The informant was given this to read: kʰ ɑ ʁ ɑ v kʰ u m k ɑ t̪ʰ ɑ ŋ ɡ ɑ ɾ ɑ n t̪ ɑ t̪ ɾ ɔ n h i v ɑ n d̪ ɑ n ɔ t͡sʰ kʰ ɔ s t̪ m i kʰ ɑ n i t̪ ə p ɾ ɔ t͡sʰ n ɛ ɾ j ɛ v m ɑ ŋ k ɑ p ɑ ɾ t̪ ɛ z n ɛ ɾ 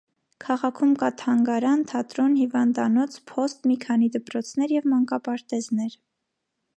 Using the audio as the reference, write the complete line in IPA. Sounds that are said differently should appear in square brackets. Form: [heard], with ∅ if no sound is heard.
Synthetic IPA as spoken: kʰ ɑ ʁ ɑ [∅] kʰ u m k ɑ t̪ʰ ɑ ŋ ɡ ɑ ɾ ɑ n [t̪ʰ] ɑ t̪ ɾ ɔ n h i v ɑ n d̪ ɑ n ɔ t͡sʰ [pʰ] ɔ s t̪ m i kʰ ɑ n i [d̪] ə p ɾ ɔ t͡sʰ n ɛ ɾ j ɛ v m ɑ ŋ k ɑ p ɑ ɾ t̪ ɛ z n ɛ ɾ